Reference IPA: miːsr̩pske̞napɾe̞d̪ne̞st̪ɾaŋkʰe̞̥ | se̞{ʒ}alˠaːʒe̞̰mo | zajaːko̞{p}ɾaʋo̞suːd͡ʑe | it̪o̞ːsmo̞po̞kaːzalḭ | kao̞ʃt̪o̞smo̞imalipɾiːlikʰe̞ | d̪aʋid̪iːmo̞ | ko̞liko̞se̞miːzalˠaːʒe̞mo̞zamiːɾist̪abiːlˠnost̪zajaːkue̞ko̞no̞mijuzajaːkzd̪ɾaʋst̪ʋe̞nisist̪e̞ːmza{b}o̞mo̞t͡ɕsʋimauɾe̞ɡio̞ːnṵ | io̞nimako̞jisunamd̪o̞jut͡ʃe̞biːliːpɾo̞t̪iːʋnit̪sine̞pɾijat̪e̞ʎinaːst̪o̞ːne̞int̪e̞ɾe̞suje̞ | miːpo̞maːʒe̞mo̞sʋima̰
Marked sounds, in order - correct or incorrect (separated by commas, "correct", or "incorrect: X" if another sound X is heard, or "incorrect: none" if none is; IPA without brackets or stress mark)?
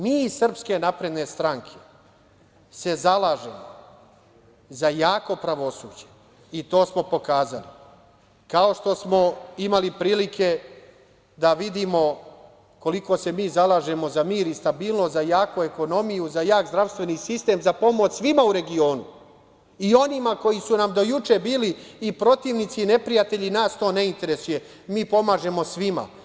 incorrect: z, correct, incorrect: p